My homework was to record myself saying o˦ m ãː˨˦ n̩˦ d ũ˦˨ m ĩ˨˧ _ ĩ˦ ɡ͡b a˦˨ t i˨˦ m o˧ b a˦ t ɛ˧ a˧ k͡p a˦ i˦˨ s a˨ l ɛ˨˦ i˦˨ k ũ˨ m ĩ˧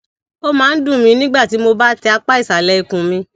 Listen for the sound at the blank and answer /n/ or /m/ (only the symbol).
n